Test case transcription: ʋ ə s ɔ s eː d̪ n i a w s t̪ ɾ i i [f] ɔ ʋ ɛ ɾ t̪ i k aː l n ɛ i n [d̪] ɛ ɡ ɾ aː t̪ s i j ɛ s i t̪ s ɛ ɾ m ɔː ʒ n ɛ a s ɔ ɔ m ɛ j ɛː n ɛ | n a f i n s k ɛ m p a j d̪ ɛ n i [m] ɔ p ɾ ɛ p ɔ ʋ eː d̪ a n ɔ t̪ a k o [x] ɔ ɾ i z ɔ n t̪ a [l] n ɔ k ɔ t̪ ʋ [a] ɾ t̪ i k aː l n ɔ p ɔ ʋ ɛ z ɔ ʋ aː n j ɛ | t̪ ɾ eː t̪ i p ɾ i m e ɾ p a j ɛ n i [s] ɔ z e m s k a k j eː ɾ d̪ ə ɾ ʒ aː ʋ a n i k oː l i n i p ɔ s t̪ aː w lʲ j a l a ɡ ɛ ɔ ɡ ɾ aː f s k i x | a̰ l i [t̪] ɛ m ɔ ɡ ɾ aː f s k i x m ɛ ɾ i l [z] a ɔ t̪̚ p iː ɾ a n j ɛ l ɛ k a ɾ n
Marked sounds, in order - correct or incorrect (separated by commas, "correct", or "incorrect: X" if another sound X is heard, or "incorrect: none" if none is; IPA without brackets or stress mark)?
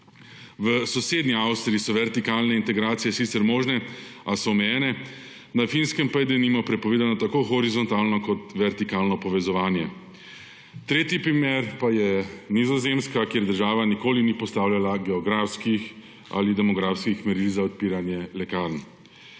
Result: incorrect: s, incorrect: t̪, correct, correct, correct, incorrect: ɛ, incorrect: z, incorrect: d̪, correct